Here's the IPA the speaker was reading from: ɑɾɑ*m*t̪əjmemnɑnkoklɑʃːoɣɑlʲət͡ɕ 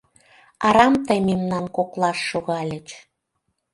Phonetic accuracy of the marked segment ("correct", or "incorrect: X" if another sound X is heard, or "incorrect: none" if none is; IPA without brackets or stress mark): correct